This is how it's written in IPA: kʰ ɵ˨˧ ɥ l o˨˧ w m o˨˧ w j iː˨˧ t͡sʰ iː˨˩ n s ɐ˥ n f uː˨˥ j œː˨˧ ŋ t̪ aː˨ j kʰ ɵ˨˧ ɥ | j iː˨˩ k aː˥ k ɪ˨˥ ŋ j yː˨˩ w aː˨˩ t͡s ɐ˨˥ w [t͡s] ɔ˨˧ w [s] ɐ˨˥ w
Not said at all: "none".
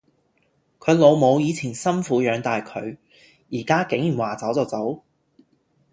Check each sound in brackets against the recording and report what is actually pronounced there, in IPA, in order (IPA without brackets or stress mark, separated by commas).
t͡s, t͡s